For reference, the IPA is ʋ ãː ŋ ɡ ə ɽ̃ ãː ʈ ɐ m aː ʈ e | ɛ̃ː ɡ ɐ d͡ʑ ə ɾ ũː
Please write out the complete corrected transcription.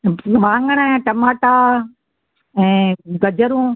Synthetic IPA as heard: ʋ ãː ŋ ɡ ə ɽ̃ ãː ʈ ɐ m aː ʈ a | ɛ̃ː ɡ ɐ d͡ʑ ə ɾ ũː